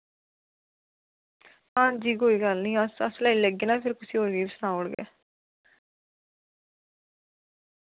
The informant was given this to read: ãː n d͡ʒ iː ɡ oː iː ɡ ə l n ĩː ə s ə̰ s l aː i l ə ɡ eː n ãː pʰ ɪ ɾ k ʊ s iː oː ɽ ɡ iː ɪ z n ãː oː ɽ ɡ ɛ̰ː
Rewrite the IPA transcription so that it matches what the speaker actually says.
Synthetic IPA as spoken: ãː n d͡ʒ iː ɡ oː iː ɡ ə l n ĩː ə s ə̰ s l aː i l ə ɡ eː n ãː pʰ ɪ ɾ k ʊ s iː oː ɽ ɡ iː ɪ s n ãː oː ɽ ɡ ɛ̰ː

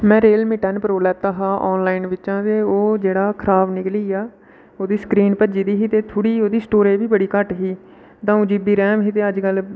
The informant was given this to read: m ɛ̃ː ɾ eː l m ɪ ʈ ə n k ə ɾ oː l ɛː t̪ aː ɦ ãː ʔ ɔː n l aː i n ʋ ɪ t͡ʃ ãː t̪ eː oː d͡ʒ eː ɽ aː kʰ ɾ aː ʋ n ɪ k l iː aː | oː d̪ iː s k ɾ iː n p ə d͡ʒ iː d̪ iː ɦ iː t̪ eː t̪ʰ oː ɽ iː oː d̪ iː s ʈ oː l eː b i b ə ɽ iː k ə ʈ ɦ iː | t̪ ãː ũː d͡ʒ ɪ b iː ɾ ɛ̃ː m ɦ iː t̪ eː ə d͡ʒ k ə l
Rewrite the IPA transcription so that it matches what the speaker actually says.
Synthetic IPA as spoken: m ɛ̃ː ɾ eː l m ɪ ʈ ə n p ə ɾ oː l ɛː t̪ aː ɦ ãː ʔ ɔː n l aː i n ʋ ɪ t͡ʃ ãː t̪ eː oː d͡ʒ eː ɽ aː kʰ ɾ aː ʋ n ɪ k l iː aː | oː d̪ iː s k ɾ iː n p ə d͡ʒ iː d̪ iː ɦ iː t̪ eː t̪ʰ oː ɽ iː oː d̪ iː s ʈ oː ɾ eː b iː b ə ɽ iː k ə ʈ ɦ iː | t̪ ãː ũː d͡ʒ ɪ b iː ɾ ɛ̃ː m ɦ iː t̪ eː ə d͡ʒ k ə l

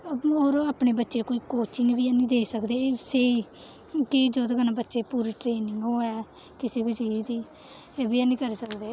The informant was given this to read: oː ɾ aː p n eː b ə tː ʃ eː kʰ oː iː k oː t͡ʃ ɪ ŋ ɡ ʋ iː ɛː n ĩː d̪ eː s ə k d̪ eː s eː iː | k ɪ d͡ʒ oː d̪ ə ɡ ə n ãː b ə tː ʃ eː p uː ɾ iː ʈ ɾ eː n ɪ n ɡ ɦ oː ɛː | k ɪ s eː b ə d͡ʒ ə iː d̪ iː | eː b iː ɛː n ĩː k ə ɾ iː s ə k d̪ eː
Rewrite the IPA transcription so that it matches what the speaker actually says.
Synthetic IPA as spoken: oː ɾ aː p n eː b ə tː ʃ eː k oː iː k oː t͡ʃ ɪ ŋ ɡ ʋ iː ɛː n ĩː d̪ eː s ə k d̪ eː s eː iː | k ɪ d͡ʒ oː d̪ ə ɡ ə n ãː b ə tː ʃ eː p uː ɾ iː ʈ ɾ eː n ɪ ŋ ɡ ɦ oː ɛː | k ɪ s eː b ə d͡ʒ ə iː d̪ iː | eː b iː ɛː n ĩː k ə ɾ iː s ə k d̪ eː

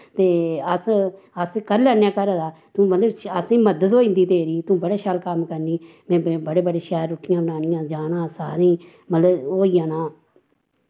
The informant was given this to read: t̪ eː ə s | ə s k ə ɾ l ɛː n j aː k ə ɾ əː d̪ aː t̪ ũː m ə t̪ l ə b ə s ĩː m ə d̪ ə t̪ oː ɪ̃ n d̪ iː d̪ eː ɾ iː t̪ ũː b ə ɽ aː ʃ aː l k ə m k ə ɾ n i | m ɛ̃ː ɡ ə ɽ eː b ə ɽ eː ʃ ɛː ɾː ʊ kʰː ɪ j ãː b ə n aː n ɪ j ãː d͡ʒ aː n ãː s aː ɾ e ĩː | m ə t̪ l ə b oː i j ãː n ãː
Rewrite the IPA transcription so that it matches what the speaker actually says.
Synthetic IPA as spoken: t̪ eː ə s | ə s k ə ɾ l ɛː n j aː k ə ɾ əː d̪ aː t̪ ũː m ə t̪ l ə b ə s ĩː m ə d̪ ə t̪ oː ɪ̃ n d̪ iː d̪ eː ɾ iː t̪ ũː b ə ɽ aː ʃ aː l k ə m k ə ɾ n iː | m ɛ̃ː b ə ɽ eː b ə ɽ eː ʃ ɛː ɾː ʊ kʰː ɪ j ãː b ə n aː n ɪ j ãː d͡ʒ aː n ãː s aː ɾ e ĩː | m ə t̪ l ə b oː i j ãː n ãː

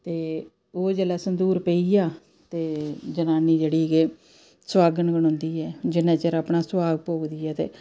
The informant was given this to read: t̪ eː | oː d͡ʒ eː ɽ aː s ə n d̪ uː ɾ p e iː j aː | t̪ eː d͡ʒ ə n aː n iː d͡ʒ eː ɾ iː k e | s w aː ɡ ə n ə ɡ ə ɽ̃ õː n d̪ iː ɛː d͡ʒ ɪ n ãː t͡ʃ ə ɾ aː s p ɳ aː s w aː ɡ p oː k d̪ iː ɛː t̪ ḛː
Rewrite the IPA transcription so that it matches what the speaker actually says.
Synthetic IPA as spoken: t̪ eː | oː d͡ʒ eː l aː s ə n d̪ uː ɾ p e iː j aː | t̪ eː d͡ʒ ə n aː n iː d͡ʒ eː ɽ iː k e | s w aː ɡ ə n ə ɡ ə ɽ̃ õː n d̪ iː ɛː d͡ʒ ɪ n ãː t͡ʃ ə ɾ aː p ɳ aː s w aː ɡ p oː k d̪ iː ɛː t̪ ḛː

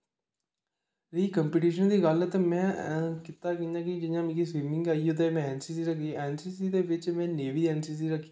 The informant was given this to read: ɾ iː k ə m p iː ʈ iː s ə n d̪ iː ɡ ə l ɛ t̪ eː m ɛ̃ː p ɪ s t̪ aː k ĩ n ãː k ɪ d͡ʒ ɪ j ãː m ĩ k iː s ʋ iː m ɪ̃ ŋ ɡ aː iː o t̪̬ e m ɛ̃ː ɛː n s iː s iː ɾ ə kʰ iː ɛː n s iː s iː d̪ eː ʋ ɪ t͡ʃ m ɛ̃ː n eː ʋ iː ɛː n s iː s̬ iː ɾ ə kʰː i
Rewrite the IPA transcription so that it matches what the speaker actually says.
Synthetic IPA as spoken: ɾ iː k ə m p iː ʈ iː ʃ ə n d̪ iː ɡ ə l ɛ t̪ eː m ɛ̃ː k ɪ t̪ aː k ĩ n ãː k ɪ d͡ʒ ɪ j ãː m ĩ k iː s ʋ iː m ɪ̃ ŋ ɡ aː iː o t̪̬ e m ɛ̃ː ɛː n s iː s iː ɾ ə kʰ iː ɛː n s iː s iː d̪ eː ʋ ɪ t͡ʃ m ɛ̃ː n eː ʋ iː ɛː n s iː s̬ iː ɾ ə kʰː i

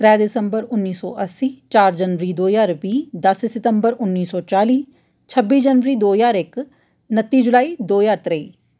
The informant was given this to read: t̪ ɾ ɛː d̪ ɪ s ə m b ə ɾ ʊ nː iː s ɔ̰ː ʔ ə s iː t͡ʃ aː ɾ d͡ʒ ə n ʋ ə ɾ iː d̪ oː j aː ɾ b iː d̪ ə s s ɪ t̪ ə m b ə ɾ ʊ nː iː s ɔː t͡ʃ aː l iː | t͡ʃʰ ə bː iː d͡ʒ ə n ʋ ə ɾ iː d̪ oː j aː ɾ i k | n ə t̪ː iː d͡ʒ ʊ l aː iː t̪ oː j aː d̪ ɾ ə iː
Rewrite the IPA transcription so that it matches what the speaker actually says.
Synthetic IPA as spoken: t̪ ɾ ɛː d̪ ɪ s ə m b ə ɾ ʊ nː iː s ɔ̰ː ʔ ə s iː t͡ʃ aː ɾ d͡ʒ ə n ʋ ə ɾ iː d̪ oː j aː ɾ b iː d̪ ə s s ɪ t̪ ə m b ə ɾ ʊ nː iː s ɔː t͡ʃ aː l iː | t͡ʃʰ ə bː iː d͡ʒ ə n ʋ ə ɾ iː d̪ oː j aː ɾ ɪ k | n ə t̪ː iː d͡ʒ ʊ l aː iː d̪ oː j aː t̪ ɾ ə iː

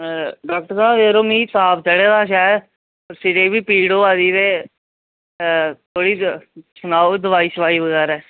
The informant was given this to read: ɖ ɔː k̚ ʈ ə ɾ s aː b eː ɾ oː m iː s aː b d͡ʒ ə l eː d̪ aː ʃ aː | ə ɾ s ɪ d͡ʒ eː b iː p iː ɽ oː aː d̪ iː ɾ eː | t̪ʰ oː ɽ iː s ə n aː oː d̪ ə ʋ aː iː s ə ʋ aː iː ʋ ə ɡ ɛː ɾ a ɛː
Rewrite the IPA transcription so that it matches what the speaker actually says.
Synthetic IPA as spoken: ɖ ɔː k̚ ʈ ə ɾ s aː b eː ɾ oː m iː s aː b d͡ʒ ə ɽ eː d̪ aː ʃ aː | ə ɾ s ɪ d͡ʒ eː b iː p iː ɽ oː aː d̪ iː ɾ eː | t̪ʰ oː ɽ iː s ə n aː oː d̪ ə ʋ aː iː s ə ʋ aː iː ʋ ə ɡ ɛː ɾ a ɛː

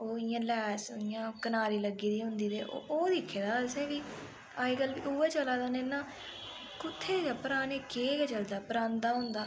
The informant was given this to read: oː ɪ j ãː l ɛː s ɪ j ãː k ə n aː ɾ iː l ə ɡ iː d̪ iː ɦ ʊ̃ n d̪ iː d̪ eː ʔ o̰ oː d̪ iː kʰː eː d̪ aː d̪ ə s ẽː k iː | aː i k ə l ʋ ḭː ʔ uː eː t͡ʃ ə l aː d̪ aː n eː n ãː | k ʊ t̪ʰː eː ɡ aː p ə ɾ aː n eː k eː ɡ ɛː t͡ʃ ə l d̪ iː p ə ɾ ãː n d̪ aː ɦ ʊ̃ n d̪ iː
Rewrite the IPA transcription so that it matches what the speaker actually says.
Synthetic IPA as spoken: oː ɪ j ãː l ɛː s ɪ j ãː k ə n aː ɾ iː l ə ɡ iː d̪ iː ɦ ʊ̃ n d̪ iː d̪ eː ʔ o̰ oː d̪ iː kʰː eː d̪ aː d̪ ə s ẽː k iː | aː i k ə l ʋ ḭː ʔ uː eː t͡ʃ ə l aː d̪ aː n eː n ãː | k ʊ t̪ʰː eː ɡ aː p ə ɾ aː n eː k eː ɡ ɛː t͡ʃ ə l d̪ aː p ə ɾ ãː n d̪ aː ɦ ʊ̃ n d̪ aː

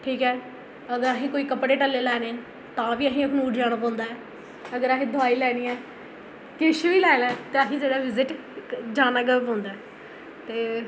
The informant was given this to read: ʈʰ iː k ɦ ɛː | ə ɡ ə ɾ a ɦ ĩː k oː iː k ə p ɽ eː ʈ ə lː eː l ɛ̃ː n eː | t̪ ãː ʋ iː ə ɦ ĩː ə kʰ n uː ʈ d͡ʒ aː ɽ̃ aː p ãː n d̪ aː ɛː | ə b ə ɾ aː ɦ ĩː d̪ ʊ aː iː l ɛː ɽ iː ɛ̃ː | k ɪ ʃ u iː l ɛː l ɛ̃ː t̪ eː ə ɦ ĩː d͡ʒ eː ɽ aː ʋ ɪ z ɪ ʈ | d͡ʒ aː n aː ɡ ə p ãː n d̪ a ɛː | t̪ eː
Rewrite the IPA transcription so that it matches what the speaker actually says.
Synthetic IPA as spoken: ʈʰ iː k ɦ ɛː | ə ɡ ə ɾ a ɦ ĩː k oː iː k ə p ɽ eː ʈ ə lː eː l ɛː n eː | t̪ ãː ʋ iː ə ɦ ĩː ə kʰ n uː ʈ d͡ʒ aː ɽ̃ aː p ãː n d̪ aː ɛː | ə ɡ ə ɾ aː ɦ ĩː d̪ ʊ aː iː l ɛː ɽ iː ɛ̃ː | k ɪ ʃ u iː l ɛː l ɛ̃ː t̪ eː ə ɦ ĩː d͡ʒ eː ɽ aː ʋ ɪ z ɪ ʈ | d͡ʒ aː n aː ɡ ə p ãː n d̪ a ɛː | t̪ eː

